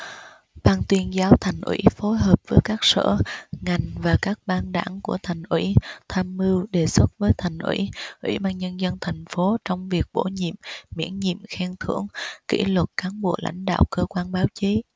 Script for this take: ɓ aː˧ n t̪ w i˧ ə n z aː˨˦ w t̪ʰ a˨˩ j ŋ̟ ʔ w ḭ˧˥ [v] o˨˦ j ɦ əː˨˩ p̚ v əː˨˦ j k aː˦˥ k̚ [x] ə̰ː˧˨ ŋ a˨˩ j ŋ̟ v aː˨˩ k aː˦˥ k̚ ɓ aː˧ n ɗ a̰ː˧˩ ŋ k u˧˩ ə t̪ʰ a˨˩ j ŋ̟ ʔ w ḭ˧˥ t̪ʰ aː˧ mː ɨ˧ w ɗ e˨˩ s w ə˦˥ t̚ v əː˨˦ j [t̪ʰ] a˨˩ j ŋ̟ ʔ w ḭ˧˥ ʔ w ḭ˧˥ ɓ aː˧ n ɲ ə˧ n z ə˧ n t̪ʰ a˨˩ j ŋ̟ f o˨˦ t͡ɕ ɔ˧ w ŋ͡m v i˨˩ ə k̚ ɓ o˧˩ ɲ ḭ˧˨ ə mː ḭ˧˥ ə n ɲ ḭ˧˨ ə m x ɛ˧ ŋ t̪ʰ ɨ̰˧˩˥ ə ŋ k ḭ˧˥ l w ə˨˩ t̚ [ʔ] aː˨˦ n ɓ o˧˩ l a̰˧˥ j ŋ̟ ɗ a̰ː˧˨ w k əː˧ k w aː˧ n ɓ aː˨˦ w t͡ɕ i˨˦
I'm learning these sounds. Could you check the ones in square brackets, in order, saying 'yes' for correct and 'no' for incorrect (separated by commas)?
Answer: no, no, yes, no